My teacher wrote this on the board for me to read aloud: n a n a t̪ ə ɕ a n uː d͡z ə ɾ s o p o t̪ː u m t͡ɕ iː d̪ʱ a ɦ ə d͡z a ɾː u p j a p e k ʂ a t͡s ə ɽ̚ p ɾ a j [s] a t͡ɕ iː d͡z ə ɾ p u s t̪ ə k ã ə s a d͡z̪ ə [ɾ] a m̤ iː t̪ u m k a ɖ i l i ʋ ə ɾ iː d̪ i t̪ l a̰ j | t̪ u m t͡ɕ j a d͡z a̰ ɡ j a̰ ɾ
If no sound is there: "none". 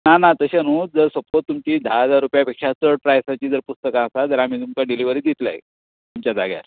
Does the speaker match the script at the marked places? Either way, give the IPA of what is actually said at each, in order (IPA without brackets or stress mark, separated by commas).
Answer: s, ɾ